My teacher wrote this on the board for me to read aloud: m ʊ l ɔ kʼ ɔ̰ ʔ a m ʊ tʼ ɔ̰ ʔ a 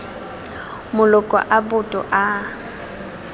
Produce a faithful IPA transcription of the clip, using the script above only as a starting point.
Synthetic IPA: m ʊ l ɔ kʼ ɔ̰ ʔ a b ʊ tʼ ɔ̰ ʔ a